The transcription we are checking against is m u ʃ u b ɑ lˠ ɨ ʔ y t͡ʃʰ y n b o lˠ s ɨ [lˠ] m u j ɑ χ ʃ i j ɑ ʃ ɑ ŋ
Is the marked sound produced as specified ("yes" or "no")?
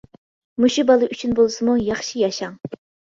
no